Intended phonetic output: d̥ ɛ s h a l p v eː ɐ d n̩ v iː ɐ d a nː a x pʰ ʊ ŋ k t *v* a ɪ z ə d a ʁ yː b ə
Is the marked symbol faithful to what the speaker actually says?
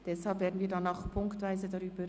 yes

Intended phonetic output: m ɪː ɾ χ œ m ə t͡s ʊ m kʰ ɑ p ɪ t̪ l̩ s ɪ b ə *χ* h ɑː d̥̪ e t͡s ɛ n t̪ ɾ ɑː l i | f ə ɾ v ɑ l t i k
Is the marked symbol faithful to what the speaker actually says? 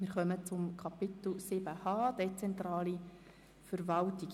no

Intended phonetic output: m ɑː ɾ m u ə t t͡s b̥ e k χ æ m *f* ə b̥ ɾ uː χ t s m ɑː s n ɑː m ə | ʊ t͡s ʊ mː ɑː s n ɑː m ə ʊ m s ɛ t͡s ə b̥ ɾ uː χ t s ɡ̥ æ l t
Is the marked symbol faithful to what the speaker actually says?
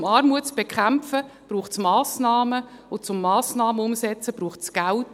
yes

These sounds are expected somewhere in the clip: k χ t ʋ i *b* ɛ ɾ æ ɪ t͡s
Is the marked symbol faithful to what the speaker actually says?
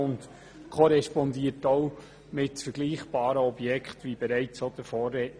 yes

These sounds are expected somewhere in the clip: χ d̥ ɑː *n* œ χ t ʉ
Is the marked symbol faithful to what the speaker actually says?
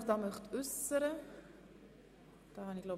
no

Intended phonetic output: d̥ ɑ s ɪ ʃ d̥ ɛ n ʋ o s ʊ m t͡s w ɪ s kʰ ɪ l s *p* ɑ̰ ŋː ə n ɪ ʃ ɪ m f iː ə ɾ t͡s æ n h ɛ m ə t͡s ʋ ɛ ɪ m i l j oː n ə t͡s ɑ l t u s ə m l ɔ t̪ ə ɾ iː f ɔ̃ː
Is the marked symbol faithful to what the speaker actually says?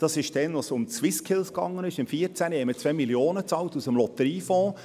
no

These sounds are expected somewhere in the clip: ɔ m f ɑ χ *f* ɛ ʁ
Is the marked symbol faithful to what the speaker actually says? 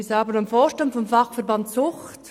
yes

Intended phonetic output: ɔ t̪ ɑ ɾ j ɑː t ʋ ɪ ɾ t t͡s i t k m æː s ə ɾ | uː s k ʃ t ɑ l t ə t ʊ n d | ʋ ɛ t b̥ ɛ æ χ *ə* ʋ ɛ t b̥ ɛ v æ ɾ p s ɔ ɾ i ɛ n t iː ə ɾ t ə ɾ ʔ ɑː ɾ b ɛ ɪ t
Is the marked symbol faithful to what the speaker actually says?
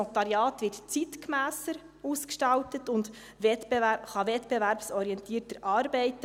no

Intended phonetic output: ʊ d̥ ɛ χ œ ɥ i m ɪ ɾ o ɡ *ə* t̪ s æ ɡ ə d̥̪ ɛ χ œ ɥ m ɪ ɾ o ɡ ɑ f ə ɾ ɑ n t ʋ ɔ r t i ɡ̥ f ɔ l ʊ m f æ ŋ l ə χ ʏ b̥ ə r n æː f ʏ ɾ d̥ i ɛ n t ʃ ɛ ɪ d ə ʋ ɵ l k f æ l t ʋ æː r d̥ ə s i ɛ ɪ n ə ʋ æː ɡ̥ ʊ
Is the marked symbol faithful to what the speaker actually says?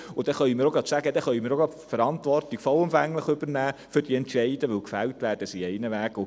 no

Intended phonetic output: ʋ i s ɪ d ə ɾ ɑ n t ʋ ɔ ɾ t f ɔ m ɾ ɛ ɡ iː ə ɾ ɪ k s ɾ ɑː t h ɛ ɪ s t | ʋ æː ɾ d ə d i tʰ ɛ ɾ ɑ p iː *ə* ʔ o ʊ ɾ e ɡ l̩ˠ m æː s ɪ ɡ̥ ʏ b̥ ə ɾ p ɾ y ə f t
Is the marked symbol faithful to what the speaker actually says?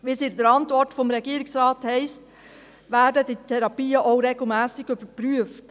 yes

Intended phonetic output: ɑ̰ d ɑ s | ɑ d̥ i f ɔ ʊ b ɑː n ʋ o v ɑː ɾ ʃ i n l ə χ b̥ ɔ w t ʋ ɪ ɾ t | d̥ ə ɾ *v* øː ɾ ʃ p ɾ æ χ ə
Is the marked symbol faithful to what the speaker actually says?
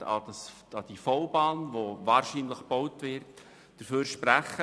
no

